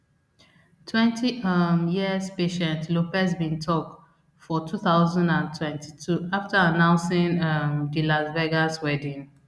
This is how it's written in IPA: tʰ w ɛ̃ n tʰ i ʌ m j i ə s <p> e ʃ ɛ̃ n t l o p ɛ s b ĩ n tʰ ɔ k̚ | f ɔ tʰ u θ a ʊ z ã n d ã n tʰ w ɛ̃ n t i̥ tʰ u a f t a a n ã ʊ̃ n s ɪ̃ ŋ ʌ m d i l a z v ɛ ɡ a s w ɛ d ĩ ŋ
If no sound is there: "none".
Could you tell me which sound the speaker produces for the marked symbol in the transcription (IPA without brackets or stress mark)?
p